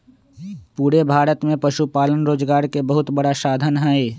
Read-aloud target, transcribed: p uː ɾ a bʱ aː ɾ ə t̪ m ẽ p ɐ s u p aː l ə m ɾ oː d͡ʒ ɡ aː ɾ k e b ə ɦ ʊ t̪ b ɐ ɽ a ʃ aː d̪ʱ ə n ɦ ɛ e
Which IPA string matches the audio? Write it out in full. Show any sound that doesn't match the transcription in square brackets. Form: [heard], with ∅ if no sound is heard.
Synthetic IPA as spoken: p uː ɾ [e] bʱ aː ɾ ə t̪ m ẽ p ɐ [ʃ] u p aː l ə [n] ɾ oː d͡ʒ ɡ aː ɾ k e b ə ɦ ʊ t̪ b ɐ ɽ a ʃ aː d̪ʱ ə n ɦ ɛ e

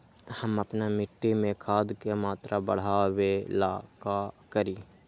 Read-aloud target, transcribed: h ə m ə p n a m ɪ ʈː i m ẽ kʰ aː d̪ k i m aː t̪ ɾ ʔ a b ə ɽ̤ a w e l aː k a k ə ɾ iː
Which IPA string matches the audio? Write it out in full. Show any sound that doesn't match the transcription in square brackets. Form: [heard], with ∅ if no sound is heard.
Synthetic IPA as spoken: h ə m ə p n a m ɪ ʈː i m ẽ kʰ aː d̪ k [e] m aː t̪ ɾ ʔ a b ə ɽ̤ a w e l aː k a k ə ɾ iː

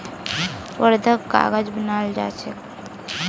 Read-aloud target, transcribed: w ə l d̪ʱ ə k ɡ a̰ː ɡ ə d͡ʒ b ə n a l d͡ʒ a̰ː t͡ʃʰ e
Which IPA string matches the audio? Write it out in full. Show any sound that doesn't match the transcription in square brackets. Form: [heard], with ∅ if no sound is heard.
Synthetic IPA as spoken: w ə [ɾ] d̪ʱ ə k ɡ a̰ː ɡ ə d͡ʒ b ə n a l d͡ʒ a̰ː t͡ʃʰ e

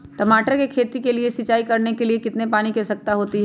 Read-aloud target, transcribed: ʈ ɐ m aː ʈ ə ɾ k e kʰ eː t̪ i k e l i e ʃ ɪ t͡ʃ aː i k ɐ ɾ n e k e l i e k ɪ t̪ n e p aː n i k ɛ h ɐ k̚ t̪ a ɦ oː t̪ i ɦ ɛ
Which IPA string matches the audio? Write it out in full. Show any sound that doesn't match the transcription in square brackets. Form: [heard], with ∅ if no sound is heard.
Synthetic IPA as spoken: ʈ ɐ m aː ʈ ə ɾ k e kʰ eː t̪ i k e l i e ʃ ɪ t͡ʃ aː i k ɐ ɾ n e k e l i e k ɪ t̪ n e p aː n i k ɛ [s] ɐ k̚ t̪ a ɦ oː t̪ i ɦ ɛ

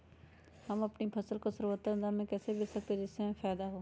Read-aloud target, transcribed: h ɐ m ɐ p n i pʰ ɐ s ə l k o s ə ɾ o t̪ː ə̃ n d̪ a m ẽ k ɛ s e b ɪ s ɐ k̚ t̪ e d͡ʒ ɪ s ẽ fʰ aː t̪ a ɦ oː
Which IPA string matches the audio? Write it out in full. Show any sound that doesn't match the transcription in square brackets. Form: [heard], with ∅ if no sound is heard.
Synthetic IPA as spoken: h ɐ m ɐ p n i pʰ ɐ s ə l k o s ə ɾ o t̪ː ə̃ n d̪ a m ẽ k [ɛː] s e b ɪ s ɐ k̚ t̪ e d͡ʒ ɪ s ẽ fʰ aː [d̪] a ɦ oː

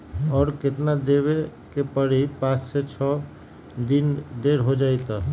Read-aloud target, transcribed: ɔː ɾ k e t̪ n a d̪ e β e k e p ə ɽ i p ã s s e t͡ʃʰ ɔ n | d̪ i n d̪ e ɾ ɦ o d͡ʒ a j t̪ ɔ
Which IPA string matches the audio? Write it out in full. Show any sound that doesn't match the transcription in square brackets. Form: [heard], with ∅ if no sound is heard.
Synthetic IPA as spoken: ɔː ɾ k e t̪ n a d̪ e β e k e p ə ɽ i p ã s s e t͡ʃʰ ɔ [∅] | d̪ i n d̪ e ɾ ɦ o d͡ʒ a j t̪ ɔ

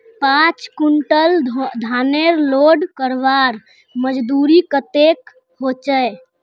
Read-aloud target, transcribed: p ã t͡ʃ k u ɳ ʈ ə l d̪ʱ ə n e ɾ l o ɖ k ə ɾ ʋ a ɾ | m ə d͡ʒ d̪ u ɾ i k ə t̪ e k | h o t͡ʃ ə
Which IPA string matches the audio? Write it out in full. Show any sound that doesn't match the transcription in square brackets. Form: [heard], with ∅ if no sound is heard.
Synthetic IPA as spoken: p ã t͡ʃ k u ɳ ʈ ə l d̪ʱ [a] n e ɾ l o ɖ k ə ɾ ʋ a ɾ | m ə d͡ʒ d̪ u ɾ i k ə t̪ e k | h o t͡ʃ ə

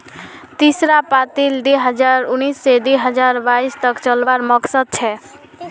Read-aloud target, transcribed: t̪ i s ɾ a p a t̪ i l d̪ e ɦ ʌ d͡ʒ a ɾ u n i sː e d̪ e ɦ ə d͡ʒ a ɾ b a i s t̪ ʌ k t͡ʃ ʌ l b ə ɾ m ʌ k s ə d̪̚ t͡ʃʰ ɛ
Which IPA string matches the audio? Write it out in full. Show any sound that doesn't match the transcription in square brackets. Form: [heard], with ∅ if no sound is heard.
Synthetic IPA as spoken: t̪ i s ɾ a p a t̪ i l d̪ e ɦ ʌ d͡ʒ a ɾ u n i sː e d̪ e ɦ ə d͡ʒ a ɾ b a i s t̪ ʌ k t͡ʃ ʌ l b [a] ɾ m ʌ k s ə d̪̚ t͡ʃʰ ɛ

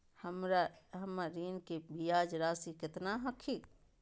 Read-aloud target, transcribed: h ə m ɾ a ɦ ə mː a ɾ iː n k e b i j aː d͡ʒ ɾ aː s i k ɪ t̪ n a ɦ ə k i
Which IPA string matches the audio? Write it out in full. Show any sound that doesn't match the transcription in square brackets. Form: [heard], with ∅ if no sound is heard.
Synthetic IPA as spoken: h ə m ɾ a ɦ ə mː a ɾ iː n k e b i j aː d͡ʒ ɾ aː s i k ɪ t̪ n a ɦ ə [kʰ] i

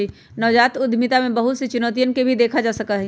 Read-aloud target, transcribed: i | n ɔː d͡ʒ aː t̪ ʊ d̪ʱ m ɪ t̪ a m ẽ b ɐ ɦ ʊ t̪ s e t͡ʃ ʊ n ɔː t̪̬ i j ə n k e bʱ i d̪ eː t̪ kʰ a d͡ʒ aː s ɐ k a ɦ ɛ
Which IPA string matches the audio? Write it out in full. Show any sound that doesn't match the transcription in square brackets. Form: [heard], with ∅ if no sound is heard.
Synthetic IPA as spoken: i | n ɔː d͡ʒ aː t̪ ʊ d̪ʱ m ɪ t̪ a m ẽ b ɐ ɦ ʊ t̪ s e t͡ʃ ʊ n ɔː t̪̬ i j ə n k e bʱ i d̪ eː [∅] kʰ a d͡ʒ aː s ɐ k a ɦ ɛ

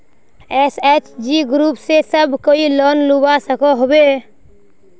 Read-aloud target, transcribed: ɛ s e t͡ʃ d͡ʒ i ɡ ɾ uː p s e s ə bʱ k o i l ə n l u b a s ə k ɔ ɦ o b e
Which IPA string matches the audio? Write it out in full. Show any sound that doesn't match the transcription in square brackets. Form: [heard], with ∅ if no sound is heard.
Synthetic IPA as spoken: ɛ s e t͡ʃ d͡ʒ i ɡ ɾ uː p s e s ə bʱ k o i l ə n l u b a s ə k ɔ ɦ o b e

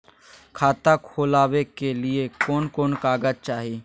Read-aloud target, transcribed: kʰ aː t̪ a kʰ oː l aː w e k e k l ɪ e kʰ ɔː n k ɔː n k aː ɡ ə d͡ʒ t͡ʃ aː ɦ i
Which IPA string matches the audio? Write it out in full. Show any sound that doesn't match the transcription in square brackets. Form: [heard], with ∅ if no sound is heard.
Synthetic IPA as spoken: kʰ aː t̪ a kʰ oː l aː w e k e [∅] l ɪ e [k] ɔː n k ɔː n k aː ɡ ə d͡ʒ t͡ʃ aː ɦ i

